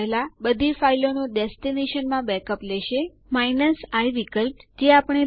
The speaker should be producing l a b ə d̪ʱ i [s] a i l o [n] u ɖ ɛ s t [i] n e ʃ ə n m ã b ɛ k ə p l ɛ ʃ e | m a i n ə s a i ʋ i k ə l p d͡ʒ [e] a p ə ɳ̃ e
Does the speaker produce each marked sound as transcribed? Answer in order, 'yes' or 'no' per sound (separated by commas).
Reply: no, yes, yes, yes